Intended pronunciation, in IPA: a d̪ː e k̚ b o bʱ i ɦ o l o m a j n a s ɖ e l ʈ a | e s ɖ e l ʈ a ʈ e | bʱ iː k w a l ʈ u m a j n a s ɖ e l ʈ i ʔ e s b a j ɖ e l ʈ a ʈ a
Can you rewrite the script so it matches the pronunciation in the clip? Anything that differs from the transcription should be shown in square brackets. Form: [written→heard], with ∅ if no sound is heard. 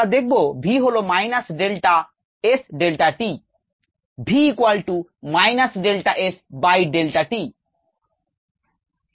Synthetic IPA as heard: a [d̪ː→d̪] e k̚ b o bʱ i ɦ o l o m a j n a s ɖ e l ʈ a | e s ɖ e l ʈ a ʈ [e→i] | bʱ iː k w a l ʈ u m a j n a s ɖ e l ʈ [i→a] ʔ e s b a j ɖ e l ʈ a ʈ [a→i]